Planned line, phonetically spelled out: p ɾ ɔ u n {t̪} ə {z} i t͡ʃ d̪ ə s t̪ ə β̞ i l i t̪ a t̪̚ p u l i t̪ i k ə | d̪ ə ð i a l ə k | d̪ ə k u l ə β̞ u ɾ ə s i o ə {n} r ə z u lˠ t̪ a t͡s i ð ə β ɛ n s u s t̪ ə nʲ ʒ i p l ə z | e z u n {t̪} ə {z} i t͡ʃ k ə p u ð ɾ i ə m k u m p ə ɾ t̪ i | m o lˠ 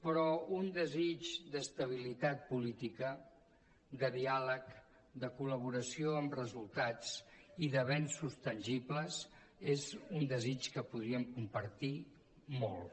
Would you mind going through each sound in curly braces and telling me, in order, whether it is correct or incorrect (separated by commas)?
incorrect, correct, incorrect, incorrect, correct